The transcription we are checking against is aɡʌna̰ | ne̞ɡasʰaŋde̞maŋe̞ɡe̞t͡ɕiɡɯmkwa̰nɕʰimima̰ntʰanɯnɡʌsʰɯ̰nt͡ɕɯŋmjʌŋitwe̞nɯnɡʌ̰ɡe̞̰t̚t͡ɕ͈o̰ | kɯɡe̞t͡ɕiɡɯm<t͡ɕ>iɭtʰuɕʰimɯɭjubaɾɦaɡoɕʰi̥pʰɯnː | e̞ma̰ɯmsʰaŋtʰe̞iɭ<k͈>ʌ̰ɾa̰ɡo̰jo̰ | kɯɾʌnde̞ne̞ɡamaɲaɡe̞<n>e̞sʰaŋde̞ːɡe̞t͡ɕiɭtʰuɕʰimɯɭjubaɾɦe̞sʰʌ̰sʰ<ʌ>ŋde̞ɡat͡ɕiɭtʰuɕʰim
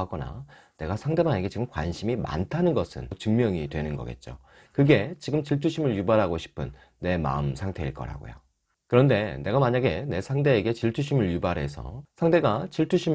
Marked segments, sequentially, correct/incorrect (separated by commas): correct, correct, correct, incorrect